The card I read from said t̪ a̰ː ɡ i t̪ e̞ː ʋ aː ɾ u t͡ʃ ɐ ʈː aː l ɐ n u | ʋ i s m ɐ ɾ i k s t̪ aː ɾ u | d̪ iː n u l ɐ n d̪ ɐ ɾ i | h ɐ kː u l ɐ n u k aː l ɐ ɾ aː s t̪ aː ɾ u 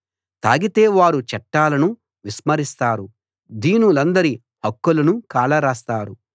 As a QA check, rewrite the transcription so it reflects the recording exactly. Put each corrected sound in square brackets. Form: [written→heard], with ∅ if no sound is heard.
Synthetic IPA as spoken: t̪ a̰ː ɡ i t̪ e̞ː ʋ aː ɾ u t͡ʃ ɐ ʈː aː l ɐ n u | ʋ i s m ɐ ɾ i [k→∅] s t̪ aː ɾ u | d̪ iː n u l ɐ n d̪ ɐ ɾ i | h ɐ kː u l ɐ n u k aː l ɐ ɾ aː s t̪ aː ɾ u

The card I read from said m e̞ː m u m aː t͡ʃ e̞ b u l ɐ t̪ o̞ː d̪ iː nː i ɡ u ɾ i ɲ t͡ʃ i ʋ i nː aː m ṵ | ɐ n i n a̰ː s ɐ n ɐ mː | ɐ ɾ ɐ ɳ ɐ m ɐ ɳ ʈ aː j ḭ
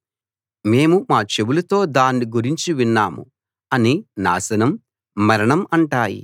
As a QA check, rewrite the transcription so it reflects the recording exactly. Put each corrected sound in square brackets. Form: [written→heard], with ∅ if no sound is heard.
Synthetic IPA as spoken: m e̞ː m u m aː t͡ʃ e̞ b u l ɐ t̪ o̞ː d̪ [iː→aː] nː i ɡ u ɾ i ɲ t͡ʃ i ʋ i nː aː m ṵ | ɐ n i n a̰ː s ɐ n ɐ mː | ɐ ɾ ɐ ɳ ɐ m ɐ ɳ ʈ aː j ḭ

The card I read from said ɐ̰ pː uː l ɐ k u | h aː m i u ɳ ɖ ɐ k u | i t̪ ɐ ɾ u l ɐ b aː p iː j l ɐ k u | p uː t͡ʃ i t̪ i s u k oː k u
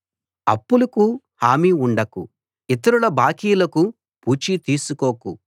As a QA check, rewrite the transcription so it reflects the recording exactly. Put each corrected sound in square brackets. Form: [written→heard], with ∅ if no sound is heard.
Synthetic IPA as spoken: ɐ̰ pː [uː→u] l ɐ k u | h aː m i u ɳ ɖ ɐ k u | i t̪ ɐ ɾ u l ɐ b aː [p→k] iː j l ɐ k u | p uː t͡ʃ i t̪ [i→iː] s u k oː k u

